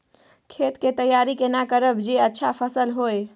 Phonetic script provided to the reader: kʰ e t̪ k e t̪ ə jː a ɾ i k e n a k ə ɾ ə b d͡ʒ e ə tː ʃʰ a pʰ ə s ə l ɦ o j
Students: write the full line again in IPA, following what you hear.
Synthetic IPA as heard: kʰ e t̪ k e t̪ ə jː a ɾ i k e n a k ə ɾ ə b d͡ʒ e ə tː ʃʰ a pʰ ə s ə l ɦ o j